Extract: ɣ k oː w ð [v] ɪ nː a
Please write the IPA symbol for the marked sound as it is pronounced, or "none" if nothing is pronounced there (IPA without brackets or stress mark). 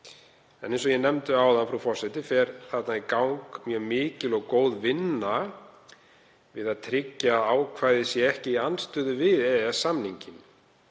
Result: v